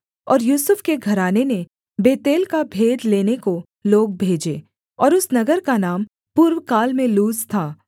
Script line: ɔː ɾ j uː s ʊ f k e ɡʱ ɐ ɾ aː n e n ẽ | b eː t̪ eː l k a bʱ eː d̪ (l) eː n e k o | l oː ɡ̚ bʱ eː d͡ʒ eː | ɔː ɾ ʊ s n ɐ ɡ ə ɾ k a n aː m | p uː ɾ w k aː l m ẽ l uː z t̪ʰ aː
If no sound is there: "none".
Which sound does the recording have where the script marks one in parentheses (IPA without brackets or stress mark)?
l